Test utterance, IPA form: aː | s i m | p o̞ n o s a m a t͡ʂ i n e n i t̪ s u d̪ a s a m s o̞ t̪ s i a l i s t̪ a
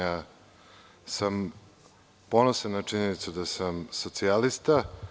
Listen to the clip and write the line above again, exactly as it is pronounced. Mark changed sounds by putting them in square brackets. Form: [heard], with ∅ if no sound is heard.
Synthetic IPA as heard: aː | s [a] m | p o̞ n o s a [n] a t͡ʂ i [ɲ] e n i t̪ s u d̪ a s a m s o̞ t̪ s i a l i s t̪ a

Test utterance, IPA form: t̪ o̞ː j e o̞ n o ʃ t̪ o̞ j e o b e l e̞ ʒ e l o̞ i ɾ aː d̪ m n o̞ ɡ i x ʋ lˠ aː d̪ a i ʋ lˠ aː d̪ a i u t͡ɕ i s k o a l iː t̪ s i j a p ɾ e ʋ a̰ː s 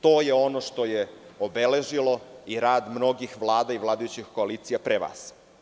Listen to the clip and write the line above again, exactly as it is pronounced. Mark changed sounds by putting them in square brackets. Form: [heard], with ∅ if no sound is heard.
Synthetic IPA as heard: t̪ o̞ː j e o̞ n o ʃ t̪ o̞ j e o b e l e̞ ʒ [i] l o̞ i ɾ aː d̪ m n o̞ ɡ i x ʋ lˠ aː d̪ a i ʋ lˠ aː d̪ a [j] u t͡ɕ i [x] k o a l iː t̪ s i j a p ɾ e ʋ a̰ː s

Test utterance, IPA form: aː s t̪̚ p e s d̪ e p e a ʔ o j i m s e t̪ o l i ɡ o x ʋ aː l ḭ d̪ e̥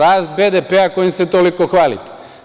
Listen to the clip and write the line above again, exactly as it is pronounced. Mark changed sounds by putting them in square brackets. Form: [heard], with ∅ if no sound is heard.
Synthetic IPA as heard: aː s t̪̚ [b] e [∅] d̪ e p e a [k] o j i m s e t̪ o l i [k] o x ʋ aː l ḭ [t̪] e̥

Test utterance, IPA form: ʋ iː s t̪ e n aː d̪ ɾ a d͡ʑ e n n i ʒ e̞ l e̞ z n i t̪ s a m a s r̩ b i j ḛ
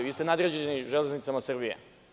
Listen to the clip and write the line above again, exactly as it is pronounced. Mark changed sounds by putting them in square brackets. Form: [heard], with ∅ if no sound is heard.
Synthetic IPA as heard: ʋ iː s t̪ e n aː d̪ ɾ [e] d͡ʑ e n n i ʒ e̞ l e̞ z n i t̪ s a m a s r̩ b i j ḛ

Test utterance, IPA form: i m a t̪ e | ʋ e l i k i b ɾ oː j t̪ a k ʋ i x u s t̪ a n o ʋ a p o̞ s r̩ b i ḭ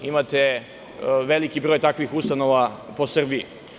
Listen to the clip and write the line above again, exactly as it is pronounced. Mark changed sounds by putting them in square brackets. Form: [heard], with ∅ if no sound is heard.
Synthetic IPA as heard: i m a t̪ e | ʋ e l i k i b ɾ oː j t̪ a k ʋ i x u s t̪ a n o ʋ a p o̞ s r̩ b i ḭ

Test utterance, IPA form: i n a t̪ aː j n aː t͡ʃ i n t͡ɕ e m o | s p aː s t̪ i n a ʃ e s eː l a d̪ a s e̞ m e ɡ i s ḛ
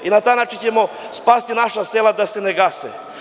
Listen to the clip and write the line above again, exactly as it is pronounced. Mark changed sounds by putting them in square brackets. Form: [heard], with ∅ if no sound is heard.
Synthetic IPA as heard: i n a t̪ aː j n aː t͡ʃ i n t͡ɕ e m o | s p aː s t̪ i n a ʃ [a] s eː l a d̪ a s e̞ [n] e ɡ [a] s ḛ

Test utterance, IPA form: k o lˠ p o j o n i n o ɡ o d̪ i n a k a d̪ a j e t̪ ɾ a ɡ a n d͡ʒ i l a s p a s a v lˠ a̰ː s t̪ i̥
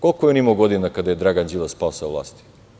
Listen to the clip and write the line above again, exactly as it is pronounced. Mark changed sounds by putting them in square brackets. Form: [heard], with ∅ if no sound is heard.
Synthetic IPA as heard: k o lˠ [k] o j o n i [m] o ɡ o d̪ i n a k a d̪ a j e [d̪] ɾ a ɡ a n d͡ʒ i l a s p a s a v lˠ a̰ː s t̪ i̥

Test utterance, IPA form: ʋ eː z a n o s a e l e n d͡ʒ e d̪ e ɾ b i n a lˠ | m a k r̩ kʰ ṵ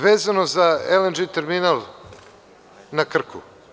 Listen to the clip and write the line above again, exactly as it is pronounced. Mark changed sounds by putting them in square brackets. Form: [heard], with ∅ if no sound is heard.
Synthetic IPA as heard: ʋ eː z a n o [z] a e l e n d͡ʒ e [t̪] e ɾ [m] i n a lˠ | [n] a k r̩ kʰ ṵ

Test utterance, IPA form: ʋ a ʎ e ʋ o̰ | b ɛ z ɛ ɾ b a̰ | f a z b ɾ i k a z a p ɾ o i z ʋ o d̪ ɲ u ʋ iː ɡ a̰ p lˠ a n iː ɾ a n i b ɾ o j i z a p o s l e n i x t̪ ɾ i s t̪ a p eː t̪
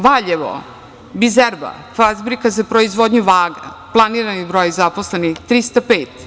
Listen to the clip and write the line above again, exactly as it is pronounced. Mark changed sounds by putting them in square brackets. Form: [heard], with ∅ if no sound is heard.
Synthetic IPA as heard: ʋ a ʎ e ʋ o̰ | b [i] z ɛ ɾ b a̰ | f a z b ɾ i k a z a p ɾ o i z ʋ o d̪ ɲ u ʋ [aː] ɡ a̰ p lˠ a n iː ɾ a n i b ɾ o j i z a p o s l e n i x t̪ ɾ i s t̪ a p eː t̪

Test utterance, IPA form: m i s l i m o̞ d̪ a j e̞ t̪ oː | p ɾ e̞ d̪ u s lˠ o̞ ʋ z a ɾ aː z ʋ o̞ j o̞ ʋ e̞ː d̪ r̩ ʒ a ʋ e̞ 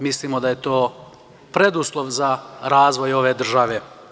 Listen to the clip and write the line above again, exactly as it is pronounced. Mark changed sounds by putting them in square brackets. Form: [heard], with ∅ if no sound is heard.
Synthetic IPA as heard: m i s l i m o̞ d̪ a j e̞ t̪ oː | p ɾ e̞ d̪ u s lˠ o̞ ʋ z a ɾ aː z ʋ o̞ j o̞ ʋ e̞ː d̪ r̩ ʒ a ʋ e̞

